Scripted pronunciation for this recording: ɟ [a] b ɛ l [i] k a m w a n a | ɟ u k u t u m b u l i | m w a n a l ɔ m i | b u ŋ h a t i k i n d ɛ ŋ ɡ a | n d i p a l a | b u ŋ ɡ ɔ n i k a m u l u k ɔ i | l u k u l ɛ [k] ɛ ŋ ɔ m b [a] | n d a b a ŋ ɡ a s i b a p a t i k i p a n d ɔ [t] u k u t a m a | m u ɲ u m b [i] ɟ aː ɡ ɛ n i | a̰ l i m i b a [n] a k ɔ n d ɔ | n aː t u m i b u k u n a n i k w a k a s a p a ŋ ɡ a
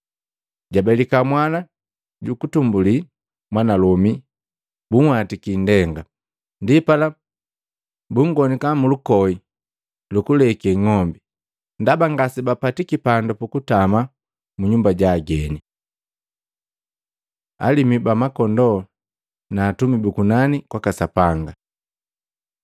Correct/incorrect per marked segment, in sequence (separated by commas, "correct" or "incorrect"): correct, correct, correct, incorrect, incorrect, incorrect, incorrect